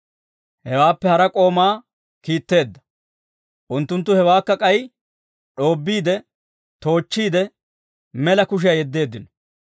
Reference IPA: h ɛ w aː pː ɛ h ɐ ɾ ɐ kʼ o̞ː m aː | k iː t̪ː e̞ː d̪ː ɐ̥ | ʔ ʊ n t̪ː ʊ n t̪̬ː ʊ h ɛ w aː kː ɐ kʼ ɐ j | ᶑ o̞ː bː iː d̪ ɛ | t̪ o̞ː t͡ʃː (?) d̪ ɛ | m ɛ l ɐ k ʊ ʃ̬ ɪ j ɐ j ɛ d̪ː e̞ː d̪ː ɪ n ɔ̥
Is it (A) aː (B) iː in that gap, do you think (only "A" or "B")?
B